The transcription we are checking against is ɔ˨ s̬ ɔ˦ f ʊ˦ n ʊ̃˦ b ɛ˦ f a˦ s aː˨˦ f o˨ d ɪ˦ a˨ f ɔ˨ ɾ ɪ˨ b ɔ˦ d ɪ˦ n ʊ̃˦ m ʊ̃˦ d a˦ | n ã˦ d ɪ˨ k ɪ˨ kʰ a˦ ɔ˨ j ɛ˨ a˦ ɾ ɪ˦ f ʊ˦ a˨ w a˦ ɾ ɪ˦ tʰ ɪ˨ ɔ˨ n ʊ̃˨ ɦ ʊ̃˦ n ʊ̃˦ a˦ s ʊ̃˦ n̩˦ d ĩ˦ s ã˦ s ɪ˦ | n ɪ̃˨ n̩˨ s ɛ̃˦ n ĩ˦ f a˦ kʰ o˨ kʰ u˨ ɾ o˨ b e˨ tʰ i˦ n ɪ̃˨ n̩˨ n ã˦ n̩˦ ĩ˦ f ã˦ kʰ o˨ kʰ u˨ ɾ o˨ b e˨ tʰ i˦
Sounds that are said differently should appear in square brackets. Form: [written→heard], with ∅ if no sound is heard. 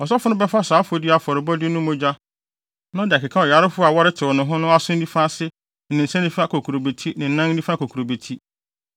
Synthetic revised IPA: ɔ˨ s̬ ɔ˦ f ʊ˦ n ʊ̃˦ b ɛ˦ f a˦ s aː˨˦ f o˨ d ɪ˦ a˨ f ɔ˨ ɾ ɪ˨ b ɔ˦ d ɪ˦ n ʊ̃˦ m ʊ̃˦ [d→d͡ʑ] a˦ | n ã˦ d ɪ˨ k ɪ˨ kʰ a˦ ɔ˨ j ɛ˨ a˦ ɾ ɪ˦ f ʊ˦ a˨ w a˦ ɾ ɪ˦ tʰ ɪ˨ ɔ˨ n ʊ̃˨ ɦ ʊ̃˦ n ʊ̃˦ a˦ s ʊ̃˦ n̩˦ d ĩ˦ [s→f] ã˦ s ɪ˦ | n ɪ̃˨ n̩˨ s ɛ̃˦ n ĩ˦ f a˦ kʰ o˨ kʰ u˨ ɾ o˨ b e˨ tʰ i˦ n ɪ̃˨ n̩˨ n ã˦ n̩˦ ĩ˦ f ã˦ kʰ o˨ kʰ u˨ ɾ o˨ b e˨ tʰ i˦